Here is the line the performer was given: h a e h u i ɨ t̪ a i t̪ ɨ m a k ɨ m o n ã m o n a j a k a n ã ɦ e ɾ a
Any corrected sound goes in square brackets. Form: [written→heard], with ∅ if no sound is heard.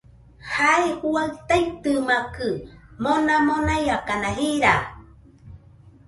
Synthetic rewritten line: h a e h u [i→a] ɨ t̪ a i t̪ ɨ m a k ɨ m o n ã m o n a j a k a n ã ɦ [e→i] ɾ a